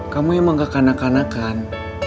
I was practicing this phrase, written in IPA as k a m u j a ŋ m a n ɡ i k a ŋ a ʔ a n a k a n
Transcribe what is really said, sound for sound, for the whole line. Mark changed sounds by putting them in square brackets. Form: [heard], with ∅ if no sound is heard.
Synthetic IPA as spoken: k a m u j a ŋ m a [ŋ] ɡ [a] k a [n] a [k] a n a k a n